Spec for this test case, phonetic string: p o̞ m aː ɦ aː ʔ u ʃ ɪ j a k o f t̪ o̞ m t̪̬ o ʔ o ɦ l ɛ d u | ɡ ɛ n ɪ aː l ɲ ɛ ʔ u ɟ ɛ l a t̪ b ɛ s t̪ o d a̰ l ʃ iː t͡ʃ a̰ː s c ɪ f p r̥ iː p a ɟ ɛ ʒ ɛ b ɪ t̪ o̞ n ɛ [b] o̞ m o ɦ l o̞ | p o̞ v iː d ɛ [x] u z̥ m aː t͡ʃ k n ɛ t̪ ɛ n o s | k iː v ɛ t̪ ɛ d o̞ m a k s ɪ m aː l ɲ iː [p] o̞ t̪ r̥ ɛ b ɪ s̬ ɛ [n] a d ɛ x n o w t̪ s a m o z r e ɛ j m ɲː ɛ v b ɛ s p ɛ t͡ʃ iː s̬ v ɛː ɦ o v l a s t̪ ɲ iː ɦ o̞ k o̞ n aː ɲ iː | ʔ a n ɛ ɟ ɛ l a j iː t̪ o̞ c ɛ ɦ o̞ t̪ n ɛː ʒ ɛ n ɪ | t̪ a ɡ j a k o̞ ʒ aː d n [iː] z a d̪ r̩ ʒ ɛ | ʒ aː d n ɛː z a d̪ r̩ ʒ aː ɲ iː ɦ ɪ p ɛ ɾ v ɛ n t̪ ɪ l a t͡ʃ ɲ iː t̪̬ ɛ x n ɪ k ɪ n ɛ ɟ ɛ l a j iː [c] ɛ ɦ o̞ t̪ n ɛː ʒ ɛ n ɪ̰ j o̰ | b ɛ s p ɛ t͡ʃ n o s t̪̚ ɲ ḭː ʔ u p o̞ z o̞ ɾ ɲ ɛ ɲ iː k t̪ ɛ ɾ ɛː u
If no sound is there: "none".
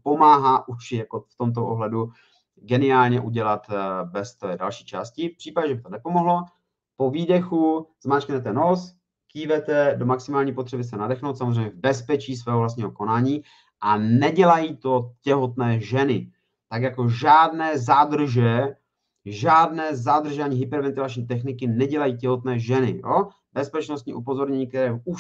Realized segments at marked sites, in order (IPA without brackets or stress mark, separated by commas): p, x, p, n, ɛː, c